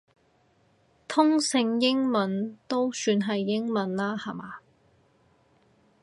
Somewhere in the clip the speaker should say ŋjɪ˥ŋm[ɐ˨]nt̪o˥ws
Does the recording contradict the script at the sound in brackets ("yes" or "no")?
no